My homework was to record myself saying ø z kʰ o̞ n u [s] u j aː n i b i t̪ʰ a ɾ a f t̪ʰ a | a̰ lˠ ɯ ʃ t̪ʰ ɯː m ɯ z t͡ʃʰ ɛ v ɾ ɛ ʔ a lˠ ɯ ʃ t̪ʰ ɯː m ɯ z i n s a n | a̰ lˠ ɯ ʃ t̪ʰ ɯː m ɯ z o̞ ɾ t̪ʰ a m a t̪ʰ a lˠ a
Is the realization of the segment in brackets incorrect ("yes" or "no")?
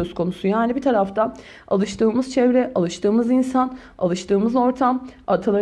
no